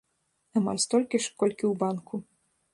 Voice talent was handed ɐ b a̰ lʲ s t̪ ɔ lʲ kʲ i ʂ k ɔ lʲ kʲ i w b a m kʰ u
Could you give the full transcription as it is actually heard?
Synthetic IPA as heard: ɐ m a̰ lʲ s t̪ ɔ lʲ kʲ i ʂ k ɔ lʲ kʲ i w b a n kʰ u